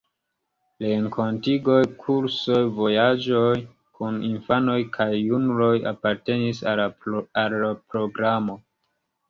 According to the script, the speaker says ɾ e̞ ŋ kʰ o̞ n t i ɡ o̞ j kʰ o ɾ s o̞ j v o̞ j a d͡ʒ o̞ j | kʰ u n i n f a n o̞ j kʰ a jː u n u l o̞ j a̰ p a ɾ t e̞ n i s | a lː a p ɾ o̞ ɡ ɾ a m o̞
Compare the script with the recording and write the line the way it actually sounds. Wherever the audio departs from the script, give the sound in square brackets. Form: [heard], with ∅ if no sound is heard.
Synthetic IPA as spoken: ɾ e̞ ŋ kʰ o̞ n t i ɡ o̞ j kʰ [u] ɾ s o̞ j v o̞ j a d͡ʒ o̞ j | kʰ u n i n f a n o̞ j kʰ a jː u n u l o̞ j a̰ p a ɾ t e̞ n i s | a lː a p ɾ o̞ ɡ ɾ a m o̞